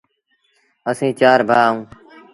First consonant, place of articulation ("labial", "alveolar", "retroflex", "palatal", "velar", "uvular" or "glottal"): alveolar